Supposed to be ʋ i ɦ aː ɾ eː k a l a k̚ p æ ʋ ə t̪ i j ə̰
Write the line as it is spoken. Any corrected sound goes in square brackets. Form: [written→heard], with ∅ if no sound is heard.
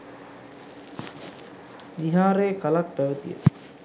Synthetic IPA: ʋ i ɦ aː ɾ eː k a l a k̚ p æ ʋ ə t̪ i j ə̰